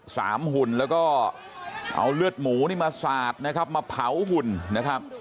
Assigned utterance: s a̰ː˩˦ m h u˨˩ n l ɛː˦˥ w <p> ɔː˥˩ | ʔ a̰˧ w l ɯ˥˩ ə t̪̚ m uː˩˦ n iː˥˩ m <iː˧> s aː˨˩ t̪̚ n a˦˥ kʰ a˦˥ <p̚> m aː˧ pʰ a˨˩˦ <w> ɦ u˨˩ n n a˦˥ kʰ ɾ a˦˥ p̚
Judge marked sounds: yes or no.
no, no, yes, yes

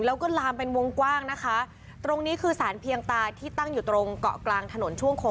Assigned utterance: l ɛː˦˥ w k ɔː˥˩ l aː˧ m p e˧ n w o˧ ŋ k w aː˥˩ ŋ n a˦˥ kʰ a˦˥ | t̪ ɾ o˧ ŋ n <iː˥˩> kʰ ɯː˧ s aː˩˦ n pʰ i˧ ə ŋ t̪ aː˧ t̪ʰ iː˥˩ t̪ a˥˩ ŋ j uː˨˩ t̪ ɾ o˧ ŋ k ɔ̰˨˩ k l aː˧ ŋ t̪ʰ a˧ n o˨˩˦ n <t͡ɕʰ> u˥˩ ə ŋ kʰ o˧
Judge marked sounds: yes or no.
no, yes

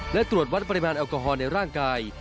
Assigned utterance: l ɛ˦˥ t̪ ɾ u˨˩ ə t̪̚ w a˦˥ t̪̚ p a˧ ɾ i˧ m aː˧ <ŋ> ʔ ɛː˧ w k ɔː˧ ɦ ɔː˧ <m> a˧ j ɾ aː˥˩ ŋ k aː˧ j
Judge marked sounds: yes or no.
no, no

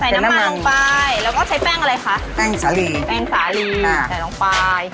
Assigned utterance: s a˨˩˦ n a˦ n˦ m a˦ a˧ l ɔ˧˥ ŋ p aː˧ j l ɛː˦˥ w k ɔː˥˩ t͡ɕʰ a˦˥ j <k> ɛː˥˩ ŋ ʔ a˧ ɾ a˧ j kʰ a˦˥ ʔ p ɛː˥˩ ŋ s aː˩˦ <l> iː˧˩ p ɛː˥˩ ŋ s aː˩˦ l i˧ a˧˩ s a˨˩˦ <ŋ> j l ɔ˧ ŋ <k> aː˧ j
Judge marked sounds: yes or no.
no, yes, no, no

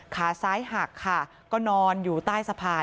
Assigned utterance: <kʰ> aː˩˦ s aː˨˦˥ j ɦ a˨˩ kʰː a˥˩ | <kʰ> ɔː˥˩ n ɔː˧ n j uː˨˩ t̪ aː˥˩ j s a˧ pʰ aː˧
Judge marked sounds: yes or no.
yes, no

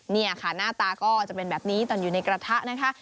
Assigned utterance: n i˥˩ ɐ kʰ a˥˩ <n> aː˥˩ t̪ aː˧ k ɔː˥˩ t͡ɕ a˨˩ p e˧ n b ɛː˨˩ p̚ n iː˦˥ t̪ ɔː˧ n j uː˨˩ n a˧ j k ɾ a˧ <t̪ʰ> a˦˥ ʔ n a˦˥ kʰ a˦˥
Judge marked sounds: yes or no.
yes, yes

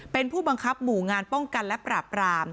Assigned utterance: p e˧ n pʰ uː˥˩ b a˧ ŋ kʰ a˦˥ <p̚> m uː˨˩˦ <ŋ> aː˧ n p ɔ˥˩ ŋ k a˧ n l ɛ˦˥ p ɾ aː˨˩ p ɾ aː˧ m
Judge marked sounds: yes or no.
yes, yes

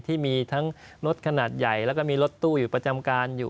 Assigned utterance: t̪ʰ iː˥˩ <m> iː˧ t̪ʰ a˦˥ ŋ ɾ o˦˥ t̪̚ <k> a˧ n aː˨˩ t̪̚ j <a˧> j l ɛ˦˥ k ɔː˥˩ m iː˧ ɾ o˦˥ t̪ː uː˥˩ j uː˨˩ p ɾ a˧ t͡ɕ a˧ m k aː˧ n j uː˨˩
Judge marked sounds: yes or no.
yes, no, no

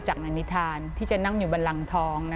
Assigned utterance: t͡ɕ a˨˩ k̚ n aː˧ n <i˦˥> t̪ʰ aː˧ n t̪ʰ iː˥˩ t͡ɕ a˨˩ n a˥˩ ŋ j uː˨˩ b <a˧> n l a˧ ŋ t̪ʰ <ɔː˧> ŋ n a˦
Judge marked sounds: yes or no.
yes, yes, no

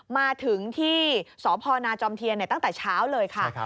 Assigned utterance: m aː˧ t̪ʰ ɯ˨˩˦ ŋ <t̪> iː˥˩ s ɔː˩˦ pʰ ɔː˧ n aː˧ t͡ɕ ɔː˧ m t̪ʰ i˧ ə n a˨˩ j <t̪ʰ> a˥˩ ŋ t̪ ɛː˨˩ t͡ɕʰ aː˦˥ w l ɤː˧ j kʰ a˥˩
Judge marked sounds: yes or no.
no, no

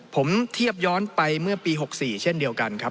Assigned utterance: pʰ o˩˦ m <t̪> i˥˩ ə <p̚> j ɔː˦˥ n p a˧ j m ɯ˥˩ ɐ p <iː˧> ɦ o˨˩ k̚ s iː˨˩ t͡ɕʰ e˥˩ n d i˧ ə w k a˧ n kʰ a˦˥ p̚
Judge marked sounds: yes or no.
no, yes, yes

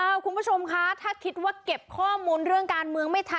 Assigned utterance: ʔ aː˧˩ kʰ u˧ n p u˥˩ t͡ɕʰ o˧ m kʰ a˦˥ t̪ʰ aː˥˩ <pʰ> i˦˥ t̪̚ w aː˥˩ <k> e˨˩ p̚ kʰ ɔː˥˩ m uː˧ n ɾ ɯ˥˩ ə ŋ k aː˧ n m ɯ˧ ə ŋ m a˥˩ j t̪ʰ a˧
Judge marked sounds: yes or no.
no, yes

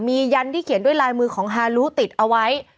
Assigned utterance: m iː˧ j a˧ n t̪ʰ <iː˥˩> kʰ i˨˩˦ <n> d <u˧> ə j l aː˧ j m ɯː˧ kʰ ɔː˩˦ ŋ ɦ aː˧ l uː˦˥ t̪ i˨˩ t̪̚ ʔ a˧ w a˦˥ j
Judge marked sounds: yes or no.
yes, yes, no

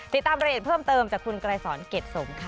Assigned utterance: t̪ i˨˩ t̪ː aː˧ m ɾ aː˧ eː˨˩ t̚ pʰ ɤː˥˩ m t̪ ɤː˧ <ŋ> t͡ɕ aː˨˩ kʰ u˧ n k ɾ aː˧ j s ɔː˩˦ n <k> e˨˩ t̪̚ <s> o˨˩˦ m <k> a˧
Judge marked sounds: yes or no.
no, yes, yes, no

